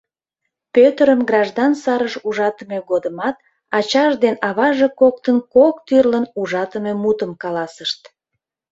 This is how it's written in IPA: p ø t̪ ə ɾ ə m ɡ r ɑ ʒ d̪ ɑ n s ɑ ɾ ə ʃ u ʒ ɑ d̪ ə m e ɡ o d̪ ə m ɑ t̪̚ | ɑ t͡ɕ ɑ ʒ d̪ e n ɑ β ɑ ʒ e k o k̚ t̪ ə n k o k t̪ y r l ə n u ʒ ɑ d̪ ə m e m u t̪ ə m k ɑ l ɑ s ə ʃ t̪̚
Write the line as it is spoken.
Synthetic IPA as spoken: p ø t̪ ə ɾ ə m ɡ r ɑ ʒ d̪ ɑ n s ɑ ɾ ə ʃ u ʒ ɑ t̪ ə m e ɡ o d̪ ə m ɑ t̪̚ | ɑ t͡ɕ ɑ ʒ d̪ e n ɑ β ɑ ʒ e k o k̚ t̪ ə n k o k t̪ y r l ə n u ʒ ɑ t̪ ə m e m u t̪ ə m k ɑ l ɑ s ə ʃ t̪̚